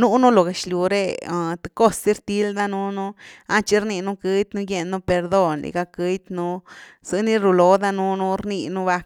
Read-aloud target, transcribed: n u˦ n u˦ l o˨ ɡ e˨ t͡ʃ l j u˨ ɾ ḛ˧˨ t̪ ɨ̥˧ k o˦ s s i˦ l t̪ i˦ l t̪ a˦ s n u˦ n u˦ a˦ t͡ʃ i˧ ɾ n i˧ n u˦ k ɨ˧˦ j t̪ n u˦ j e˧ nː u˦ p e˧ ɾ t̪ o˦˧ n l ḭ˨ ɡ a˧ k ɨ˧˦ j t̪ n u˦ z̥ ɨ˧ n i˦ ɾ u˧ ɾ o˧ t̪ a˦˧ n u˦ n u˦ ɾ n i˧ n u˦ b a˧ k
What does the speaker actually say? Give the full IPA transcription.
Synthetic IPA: n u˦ n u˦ l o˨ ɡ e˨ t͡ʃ l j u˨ ɾ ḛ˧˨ t̪ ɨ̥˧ k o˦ s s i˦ ɾ t̪ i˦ l d̪ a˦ n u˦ n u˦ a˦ t͡ʃ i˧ ɾ n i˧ n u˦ k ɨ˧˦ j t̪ n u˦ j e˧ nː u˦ p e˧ ɾ d̪ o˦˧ n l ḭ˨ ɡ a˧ k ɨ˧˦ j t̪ n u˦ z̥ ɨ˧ n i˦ ɾ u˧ l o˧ d̪ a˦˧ n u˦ n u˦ ɾ n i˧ n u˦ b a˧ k